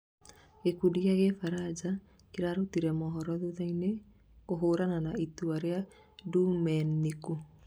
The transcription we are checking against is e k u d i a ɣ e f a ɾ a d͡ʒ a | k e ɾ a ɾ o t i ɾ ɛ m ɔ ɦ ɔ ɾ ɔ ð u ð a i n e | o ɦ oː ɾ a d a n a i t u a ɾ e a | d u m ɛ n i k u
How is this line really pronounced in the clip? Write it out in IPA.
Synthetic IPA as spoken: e k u d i a ɣ e f a ɾ a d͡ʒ a | k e ɾ a ɾ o t i ɾ ɛ m ɔ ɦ ɔ ɾ ɔ ð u ð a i n e | o ɦ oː ɾ a n a n a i t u a ɾ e a | d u m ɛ n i k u